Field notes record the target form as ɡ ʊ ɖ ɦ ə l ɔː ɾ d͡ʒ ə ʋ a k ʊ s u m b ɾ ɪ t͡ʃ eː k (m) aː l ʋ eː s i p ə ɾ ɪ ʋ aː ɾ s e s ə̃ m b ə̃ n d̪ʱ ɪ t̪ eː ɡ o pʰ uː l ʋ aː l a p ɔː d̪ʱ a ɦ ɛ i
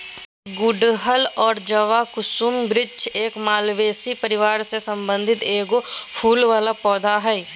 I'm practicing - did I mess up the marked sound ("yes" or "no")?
no